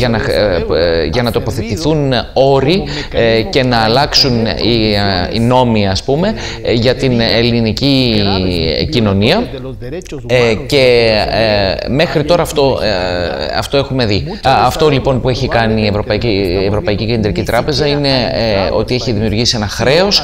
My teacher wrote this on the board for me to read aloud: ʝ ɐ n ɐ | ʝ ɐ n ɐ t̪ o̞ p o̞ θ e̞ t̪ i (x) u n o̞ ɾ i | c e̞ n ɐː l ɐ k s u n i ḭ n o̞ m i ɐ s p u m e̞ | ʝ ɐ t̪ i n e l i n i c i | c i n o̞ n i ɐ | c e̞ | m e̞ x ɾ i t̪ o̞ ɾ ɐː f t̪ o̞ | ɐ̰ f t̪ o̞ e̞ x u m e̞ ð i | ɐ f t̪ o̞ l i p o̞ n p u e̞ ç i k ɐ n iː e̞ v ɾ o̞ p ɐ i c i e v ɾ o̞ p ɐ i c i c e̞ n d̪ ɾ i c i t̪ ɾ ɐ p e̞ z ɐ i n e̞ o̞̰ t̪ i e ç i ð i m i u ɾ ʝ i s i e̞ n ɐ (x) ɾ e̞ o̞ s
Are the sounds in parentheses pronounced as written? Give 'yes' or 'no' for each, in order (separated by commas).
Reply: no, yes